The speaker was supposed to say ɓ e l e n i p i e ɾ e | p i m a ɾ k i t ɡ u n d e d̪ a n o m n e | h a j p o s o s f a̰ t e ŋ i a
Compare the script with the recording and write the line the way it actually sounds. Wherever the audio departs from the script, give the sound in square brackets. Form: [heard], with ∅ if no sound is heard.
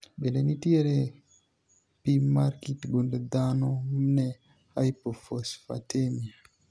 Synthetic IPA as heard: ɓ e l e n i [t] i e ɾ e | p i m a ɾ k i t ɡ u n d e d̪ a n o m n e | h a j p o [f] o s f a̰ t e [m] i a